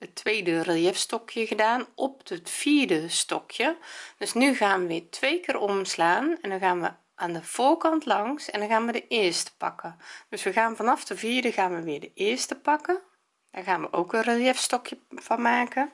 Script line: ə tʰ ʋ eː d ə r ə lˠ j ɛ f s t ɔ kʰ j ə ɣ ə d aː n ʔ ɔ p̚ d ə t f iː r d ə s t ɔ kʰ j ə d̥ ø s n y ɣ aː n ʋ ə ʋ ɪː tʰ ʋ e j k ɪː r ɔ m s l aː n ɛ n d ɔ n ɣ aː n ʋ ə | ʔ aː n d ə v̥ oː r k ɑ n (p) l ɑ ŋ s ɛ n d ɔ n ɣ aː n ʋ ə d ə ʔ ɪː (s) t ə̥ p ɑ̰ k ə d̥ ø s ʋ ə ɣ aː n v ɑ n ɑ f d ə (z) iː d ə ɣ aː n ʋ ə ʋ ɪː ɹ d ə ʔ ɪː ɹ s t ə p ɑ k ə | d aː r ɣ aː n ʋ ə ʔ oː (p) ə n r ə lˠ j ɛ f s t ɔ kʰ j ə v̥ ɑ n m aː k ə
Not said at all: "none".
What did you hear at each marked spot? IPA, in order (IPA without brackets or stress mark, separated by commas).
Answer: t, s, v, k